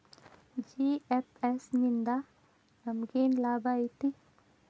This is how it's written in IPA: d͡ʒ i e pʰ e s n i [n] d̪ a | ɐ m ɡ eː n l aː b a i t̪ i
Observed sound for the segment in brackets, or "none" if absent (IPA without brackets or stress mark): n